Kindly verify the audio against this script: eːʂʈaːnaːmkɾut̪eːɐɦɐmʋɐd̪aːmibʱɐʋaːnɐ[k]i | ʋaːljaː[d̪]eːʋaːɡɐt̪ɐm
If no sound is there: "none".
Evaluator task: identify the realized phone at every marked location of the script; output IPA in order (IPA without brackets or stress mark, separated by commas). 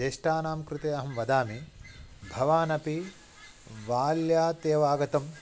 p, t̪